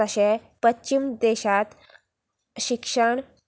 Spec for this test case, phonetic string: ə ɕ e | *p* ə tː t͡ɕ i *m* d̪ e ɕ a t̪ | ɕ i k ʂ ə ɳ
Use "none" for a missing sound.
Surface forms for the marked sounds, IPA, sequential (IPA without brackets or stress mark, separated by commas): p, m